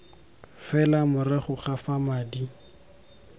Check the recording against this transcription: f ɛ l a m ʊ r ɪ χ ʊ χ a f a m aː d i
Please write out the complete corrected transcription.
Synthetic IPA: f ɛ l a m ʊ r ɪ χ ʊ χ a f a m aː d i